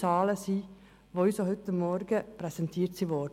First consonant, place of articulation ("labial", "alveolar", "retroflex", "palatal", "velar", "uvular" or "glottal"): alveolar